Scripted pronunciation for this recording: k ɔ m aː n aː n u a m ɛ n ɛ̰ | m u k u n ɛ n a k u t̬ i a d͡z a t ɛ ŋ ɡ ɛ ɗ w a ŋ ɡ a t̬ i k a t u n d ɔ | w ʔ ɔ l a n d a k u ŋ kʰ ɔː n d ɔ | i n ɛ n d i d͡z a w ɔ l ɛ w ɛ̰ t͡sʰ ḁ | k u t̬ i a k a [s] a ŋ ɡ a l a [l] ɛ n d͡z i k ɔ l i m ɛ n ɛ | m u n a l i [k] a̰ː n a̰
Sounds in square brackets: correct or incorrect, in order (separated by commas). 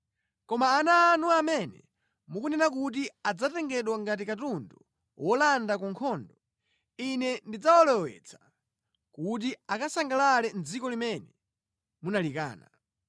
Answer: correct, correct, correct